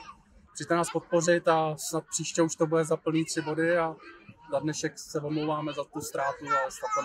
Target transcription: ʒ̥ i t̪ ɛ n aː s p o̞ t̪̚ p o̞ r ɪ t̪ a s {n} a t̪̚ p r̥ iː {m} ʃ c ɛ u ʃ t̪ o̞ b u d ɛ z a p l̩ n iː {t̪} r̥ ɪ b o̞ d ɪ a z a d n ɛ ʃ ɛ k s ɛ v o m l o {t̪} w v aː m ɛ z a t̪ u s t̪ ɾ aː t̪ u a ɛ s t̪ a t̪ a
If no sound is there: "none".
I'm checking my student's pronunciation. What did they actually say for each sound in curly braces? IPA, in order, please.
n, none, t̪, none

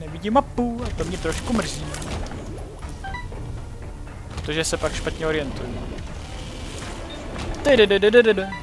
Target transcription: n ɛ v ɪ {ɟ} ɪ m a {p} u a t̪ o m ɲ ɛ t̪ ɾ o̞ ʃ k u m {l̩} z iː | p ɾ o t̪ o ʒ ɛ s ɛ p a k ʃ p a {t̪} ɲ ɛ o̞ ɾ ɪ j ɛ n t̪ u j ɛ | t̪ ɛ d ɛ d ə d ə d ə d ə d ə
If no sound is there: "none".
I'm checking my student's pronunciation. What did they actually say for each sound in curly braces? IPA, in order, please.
ɟ, p, r̩, t̪

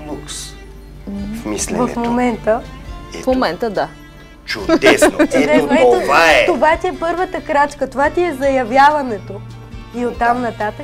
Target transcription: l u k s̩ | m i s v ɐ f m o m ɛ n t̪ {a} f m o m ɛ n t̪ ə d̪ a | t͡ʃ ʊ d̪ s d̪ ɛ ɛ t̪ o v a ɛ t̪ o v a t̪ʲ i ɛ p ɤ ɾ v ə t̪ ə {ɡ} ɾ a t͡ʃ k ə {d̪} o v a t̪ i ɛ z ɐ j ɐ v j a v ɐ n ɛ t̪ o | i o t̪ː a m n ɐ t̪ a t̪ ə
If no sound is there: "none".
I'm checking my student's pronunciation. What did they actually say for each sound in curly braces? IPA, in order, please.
ə, k, t̪

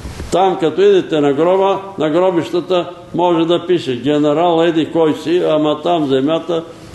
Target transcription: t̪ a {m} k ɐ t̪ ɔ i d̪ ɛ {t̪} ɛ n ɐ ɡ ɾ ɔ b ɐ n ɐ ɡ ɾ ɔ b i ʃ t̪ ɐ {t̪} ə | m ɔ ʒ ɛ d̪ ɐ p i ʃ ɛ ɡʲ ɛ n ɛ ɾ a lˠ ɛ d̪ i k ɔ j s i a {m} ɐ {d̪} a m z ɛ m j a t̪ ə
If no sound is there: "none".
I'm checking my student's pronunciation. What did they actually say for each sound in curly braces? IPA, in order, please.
m, t̪, t̪, m, t̪

